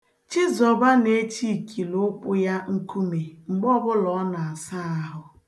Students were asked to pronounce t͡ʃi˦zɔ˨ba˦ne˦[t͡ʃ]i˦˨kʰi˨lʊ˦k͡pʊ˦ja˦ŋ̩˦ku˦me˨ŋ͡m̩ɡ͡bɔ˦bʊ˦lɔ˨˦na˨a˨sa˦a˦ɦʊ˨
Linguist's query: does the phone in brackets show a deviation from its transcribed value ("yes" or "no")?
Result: no